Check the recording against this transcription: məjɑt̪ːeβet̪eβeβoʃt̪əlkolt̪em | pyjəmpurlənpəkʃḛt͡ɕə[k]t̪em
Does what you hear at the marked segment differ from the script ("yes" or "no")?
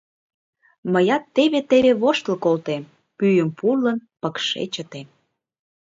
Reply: yes